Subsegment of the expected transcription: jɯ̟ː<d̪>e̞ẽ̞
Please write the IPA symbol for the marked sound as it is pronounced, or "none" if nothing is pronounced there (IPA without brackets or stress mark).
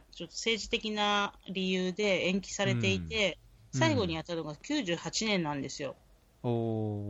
d̪